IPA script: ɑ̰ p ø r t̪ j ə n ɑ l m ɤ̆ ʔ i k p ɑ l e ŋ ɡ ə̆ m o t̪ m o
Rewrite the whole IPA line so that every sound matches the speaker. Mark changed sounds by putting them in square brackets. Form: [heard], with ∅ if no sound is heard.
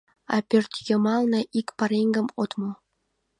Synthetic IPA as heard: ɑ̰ p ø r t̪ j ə [m] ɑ l [n] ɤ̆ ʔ i k p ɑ [ɾ] e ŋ ɡ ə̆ m o t̪ m o